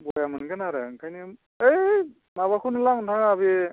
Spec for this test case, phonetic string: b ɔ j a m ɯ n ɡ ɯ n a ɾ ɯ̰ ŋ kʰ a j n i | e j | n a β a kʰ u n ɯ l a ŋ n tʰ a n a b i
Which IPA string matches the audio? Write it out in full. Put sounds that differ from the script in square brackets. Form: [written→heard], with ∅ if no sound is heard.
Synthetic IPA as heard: b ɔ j a m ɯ n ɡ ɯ n a ɾ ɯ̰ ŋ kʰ a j n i | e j | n a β a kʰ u n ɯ l a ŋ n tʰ a [n→ŋ] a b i

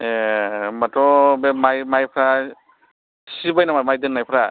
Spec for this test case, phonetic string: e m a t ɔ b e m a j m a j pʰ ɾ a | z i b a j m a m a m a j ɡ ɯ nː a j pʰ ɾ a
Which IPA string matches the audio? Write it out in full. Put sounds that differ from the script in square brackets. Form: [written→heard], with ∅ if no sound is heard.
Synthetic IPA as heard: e m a t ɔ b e m a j m a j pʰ ɾ a | [z→s] i b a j [m→n] a m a m a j [ɡ→d] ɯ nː a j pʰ ɾ a

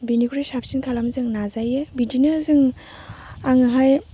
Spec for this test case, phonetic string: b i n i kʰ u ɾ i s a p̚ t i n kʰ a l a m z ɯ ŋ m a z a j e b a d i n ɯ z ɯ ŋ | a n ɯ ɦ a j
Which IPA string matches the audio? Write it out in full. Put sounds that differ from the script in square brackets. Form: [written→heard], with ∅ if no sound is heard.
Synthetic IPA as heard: b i n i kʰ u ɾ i s a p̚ [t→s] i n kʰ a l a m z ɯ ŋ [m→n] a z a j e b [a→i] d i n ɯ z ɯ ŋ | a [n→ŋ] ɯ ɦ a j

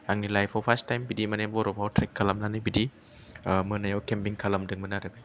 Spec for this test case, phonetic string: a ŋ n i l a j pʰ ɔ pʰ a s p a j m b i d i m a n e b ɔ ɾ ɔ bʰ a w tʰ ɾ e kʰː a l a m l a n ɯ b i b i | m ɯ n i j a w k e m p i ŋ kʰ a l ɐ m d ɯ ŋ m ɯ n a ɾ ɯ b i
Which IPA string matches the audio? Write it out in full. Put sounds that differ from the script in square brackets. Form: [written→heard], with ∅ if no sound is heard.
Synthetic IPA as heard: a ŋ n i l a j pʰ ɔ pʰ a s [p→t] a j m b i d i m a n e b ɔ ɾ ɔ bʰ a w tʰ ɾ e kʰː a l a m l a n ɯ b i [b→d] i | m ɯ n [i→a] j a w k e m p i ŋ kʰ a l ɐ m d ɯ ŋ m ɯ n a ɾ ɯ b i

